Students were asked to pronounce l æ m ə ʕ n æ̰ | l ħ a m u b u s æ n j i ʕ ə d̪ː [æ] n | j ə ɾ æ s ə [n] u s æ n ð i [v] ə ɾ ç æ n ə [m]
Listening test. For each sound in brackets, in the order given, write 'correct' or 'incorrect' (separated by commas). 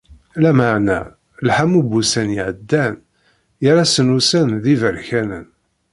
correct, correct, correct, incorrect